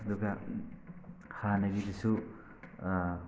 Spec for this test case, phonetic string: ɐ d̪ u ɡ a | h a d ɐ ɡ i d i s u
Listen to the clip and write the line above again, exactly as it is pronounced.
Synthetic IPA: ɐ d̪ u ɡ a | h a n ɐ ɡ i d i s u